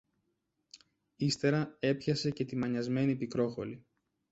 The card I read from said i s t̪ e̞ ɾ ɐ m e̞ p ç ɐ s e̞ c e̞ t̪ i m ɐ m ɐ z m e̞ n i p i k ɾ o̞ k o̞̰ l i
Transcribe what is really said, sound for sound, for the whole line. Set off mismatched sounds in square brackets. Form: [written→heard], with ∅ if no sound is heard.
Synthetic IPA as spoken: i s t̪ e̞ ɾ ɐ [m→∅] e̞ p ç ɐ s e̞ c e̞ t̪ i m ɐ [m→ɲ] ɐ z m e̞ n i p i k ɾ o̞ [k→x] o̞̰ l i